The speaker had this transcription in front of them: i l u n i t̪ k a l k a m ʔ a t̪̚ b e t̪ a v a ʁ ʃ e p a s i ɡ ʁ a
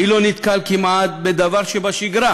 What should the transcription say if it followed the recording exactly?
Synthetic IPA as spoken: i l o n i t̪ k a l k i m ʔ a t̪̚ b e d̪ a v a ʁ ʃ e b a ʃ i ɡ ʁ a